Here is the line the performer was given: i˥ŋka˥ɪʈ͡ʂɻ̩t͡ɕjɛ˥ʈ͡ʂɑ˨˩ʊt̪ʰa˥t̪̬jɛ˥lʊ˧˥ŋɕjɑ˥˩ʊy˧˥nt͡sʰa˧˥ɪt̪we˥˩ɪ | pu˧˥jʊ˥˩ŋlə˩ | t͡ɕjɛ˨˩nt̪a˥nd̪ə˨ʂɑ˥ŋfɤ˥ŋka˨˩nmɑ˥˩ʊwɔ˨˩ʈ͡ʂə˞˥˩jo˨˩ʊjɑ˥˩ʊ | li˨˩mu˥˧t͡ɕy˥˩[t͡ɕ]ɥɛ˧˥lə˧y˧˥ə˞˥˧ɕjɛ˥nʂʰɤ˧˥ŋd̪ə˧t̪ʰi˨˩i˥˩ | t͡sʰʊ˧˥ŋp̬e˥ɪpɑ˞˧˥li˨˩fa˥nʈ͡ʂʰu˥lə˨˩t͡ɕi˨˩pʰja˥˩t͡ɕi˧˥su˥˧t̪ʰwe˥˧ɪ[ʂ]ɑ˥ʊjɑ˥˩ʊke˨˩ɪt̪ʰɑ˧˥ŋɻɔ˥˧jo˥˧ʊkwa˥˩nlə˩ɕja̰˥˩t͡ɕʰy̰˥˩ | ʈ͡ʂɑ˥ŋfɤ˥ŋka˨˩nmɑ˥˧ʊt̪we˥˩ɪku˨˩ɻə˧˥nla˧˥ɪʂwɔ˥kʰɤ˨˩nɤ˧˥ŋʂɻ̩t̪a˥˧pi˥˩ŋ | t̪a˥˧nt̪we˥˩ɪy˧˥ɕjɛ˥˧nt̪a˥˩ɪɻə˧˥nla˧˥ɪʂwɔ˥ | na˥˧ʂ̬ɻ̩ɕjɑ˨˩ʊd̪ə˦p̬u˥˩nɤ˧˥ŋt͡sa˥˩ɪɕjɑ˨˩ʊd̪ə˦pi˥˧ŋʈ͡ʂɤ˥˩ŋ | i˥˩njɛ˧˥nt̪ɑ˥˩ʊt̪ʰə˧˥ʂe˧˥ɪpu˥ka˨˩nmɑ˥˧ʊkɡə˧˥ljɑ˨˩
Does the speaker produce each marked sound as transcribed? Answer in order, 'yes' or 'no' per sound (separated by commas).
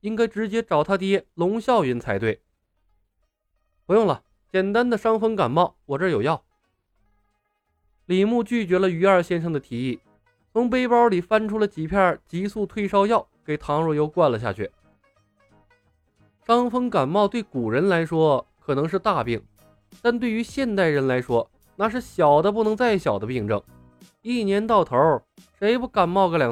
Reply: yes, yes